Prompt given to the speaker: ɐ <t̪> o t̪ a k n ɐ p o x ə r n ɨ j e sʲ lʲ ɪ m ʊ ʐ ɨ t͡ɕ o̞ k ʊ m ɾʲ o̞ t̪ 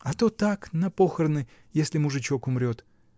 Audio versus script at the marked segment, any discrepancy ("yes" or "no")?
no